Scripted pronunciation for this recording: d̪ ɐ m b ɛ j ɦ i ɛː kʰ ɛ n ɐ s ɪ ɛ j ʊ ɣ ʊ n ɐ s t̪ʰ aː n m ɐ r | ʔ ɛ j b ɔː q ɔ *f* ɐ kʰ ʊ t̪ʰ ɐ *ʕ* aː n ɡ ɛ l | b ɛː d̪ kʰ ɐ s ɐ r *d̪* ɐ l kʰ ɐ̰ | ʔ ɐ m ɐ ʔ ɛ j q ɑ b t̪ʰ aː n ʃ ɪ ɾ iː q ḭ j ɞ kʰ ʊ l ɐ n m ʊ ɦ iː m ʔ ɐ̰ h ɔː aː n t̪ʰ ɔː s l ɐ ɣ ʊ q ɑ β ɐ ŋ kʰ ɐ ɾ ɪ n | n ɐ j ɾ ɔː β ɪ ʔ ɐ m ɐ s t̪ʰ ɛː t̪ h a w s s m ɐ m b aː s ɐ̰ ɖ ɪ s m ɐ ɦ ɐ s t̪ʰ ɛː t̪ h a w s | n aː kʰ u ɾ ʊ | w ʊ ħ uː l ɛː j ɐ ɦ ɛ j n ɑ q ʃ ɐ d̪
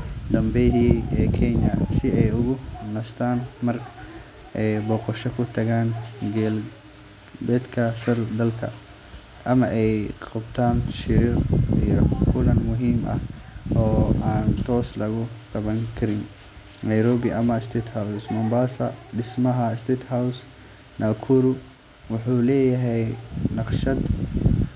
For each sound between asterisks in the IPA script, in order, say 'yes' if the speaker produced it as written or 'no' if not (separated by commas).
no, no, yes